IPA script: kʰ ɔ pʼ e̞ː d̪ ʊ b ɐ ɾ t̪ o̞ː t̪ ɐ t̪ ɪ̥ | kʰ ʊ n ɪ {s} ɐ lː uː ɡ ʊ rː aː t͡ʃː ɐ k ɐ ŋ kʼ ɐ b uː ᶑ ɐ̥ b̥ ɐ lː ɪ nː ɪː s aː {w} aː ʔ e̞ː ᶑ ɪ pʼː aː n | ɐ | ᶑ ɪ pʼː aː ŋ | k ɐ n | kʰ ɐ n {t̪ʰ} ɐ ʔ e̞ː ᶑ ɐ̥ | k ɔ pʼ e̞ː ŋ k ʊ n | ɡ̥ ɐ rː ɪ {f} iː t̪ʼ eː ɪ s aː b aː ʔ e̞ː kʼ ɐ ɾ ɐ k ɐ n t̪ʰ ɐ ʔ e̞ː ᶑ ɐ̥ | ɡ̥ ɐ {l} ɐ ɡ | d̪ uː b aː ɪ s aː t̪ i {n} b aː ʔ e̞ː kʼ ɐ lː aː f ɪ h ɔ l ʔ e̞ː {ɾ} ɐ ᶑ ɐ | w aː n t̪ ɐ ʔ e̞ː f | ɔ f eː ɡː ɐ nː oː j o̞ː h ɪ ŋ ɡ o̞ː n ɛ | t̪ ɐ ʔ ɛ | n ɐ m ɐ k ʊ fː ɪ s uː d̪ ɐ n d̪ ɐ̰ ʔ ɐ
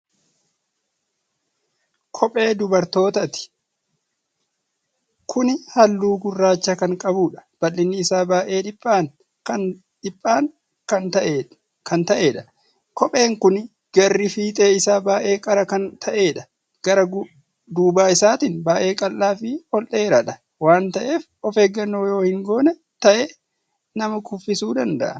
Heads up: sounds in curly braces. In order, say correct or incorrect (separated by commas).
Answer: incorrect, incorrect, incorrect, correct, incorrect, correct, correct